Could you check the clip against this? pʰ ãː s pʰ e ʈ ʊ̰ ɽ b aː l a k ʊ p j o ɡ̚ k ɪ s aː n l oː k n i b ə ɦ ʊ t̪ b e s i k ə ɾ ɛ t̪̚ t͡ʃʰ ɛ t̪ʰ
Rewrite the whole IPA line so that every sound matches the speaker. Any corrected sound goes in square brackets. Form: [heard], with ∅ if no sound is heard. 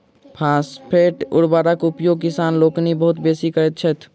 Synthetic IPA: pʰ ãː s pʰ e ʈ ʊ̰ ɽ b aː [ɾ] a k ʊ p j o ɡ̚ k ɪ s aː n l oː k n i b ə ɦ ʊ t̪ b e s i k ə ɾ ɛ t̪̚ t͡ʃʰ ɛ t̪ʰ